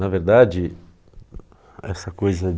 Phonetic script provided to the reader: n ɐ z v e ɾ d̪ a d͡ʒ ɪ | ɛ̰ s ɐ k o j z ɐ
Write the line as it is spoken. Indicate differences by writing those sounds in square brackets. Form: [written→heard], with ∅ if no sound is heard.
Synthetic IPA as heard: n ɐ [z→∅] v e ɾ d̪ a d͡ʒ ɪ | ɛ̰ s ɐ k o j z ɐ